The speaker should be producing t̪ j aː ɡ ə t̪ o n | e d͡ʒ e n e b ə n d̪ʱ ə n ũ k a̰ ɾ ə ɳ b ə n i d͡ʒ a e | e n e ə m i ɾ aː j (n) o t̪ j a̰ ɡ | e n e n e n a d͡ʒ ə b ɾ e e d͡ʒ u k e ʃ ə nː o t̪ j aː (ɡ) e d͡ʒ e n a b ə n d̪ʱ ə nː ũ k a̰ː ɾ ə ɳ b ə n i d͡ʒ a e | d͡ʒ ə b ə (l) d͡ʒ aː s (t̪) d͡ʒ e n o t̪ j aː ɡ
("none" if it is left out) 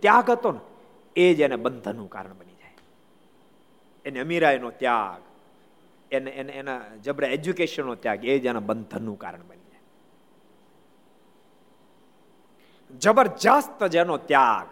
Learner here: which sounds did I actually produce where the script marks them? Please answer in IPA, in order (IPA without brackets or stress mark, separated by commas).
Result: n, ɡ, ɾ, t̪